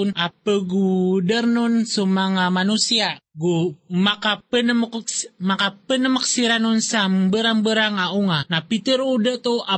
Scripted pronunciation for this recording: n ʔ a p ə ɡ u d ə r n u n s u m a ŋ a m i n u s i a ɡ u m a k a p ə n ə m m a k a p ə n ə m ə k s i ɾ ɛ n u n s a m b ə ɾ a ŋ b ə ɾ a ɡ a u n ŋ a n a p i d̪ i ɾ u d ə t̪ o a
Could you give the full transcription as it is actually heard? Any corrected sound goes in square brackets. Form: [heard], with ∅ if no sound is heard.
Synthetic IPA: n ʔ a p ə ɡ u d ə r n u n s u m a ŋ a m [a] n u s i a ɡ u m a k a p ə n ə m m a k a p ə n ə m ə k s i ɾ [a] n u n s a m b ə ɾ a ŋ b ə ɾ a [ŋ] a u [∅] ŋ a n a p i [t̪] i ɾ u d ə t̪ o a